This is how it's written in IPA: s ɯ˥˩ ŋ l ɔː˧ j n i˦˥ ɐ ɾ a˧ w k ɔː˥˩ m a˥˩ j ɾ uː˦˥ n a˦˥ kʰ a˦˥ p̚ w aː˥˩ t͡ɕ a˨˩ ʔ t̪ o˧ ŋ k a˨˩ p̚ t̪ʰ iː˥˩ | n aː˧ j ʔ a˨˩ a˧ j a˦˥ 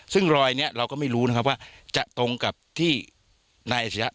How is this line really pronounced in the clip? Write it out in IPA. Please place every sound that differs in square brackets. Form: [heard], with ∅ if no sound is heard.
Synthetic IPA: s ɯ˥˩ ŋ [ɾ] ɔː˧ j n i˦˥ ɐ ɾ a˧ w k ɔː˥˩ m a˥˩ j ɾ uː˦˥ n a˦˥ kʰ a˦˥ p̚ w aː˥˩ t͡ɕ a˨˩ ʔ t̪ o˧ ŋ k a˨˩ p̚ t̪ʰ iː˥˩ | n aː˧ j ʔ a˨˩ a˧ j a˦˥